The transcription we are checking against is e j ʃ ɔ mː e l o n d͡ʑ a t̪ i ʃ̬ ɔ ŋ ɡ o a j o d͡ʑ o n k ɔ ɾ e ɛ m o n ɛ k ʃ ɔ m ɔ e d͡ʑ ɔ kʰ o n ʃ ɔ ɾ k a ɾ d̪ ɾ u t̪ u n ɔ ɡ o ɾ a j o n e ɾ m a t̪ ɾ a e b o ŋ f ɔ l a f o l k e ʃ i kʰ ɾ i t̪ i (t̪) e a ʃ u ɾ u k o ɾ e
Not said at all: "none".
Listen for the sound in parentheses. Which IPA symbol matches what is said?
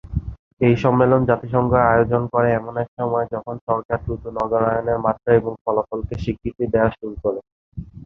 d̪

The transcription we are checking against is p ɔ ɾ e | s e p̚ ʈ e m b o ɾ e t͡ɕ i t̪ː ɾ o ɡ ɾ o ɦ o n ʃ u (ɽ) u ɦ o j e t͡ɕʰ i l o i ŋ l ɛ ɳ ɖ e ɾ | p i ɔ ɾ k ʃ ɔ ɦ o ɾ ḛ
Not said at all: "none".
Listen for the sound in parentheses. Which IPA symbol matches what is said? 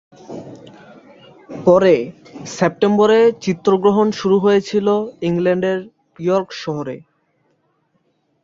ɾ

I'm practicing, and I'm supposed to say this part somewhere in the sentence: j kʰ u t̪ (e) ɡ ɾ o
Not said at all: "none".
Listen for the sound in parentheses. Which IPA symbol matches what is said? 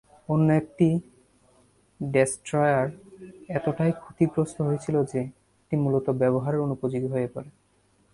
i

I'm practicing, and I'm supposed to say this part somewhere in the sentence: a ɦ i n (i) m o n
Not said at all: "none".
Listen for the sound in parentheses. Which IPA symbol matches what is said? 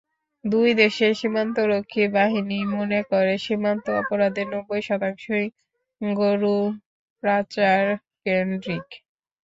i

